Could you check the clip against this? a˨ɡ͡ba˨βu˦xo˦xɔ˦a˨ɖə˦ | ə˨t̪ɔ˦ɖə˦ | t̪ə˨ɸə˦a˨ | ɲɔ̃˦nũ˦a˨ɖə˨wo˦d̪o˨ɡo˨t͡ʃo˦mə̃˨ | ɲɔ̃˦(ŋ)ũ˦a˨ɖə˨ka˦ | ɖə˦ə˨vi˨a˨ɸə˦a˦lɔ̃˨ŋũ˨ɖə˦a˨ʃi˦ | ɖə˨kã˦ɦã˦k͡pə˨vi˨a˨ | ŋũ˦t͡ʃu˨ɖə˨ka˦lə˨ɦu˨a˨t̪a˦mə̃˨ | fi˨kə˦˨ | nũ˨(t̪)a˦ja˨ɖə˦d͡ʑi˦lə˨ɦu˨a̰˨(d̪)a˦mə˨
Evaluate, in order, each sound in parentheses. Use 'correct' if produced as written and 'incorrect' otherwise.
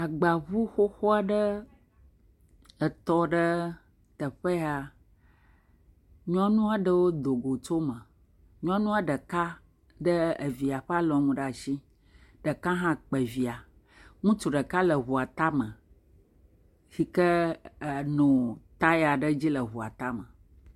incorrect, correct, incorrect

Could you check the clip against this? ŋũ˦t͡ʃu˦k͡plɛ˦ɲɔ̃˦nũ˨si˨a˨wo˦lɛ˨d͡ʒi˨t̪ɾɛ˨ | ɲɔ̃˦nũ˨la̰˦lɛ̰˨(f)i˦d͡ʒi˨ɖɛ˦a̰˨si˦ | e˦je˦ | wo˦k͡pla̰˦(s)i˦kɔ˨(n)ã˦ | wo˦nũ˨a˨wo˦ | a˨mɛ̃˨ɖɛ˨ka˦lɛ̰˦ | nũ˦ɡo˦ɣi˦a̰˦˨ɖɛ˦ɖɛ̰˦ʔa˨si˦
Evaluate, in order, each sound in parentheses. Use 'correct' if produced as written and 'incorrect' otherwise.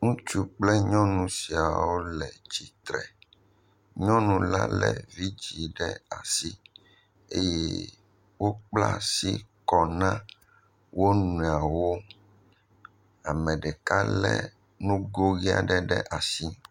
incorrect, correct, correct

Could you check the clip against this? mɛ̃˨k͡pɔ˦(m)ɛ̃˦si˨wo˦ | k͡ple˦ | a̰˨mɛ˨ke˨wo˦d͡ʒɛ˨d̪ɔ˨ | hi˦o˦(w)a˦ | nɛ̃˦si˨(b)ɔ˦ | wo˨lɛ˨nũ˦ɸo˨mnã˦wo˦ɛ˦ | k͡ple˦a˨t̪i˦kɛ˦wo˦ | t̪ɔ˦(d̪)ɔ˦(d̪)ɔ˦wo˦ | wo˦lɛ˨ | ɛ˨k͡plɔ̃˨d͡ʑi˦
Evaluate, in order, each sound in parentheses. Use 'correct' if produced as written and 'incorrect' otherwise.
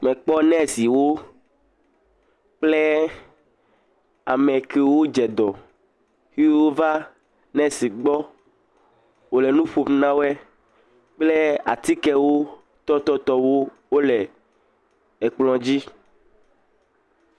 incorrect, incorrect, incorrect, incorrect, incorrect

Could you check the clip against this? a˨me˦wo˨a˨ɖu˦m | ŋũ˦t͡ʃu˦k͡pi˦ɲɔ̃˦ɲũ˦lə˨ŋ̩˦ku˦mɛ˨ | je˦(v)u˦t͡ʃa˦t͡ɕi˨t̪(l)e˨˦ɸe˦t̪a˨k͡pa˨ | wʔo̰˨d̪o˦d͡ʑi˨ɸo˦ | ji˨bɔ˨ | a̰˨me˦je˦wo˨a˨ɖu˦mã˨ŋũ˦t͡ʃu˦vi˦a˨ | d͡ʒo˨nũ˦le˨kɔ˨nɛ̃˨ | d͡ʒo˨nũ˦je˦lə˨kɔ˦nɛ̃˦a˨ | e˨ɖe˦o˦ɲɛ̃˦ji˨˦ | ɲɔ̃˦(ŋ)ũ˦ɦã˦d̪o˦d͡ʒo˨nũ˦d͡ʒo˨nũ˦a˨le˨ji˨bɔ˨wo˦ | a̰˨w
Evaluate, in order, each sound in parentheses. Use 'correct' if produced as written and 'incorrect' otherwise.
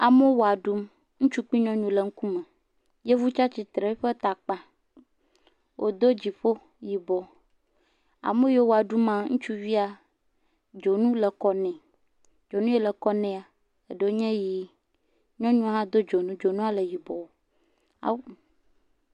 correct, incorrect, incorrect

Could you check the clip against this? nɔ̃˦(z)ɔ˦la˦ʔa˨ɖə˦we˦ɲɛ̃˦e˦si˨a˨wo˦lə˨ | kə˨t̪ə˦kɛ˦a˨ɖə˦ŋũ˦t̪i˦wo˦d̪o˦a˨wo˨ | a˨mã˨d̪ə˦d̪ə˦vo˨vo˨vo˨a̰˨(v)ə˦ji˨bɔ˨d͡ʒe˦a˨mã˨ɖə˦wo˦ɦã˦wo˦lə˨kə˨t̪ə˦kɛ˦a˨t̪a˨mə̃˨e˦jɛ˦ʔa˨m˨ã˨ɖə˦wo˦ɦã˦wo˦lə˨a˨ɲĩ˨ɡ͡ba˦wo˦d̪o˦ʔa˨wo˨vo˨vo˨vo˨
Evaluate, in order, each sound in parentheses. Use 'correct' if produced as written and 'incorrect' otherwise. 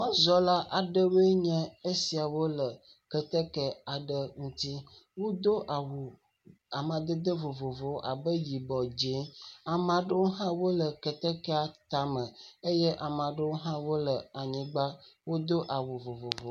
correct, incorrect

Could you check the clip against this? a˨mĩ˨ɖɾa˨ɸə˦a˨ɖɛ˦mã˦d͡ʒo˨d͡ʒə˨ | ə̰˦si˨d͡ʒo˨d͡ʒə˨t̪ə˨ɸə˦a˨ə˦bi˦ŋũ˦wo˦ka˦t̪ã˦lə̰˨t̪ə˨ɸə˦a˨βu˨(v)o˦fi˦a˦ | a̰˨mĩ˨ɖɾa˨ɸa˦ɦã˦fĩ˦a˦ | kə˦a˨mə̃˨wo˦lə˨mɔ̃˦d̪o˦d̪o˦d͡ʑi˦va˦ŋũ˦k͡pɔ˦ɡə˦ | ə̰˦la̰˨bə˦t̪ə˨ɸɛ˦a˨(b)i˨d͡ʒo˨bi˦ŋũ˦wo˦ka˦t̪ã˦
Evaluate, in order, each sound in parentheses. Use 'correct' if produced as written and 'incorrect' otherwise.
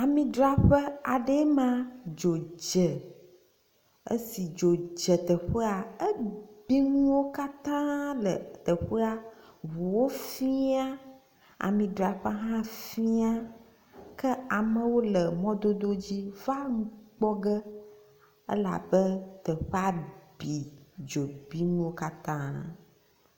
incorrect, correct

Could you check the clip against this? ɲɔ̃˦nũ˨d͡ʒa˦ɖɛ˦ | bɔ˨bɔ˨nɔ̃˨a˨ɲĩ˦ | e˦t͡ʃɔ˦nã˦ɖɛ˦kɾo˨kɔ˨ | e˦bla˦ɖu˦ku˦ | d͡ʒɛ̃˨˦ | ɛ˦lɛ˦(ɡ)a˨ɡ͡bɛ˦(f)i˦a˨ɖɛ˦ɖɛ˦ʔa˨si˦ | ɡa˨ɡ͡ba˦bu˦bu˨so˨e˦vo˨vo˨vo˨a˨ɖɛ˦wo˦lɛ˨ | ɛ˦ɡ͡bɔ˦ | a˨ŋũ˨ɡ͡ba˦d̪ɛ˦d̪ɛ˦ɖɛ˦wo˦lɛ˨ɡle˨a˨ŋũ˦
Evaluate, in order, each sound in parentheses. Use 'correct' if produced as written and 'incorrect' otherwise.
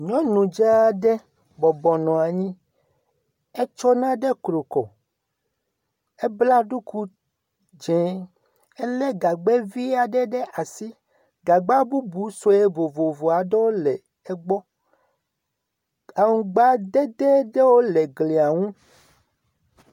correct, incorrect

